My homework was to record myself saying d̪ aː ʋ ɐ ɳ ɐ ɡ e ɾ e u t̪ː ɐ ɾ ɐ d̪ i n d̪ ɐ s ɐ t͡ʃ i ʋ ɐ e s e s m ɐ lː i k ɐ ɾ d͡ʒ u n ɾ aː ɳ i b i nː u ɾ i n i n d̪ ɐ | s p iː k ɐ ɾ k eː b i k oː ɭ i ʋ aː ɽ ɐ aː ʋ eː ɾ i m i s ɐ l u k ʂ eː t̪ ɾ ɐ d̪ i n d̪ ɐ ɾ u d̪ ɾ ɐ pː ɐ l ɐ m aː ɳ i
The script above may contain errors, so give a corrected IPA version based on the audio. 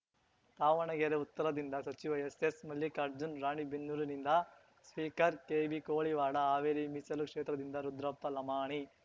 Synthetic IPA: t̪ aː ʋ ɐ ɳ ɐ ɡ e ɾ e u t̪ː ɐ ɾ ɐ d̪ i n d̪ ɐ s ɐ t͡ʃ i ʋ ɐ e s e s m ɐ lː i k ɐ ɾ d͡ʒ u n ɾ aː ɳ i b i nː u ɾ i n i n d̪ ɐ | s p iː k ɐ ɾ k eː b i k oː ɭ i ʋ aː ɽ ɐ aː ʋ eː ɾ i m i s ɐ l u k ʂ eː t̪ ɾ ɐ d̪ i n d̪ ɐ ɾ u d̪ ɾ ɐ pː ɐ l ɐ m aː ɳ i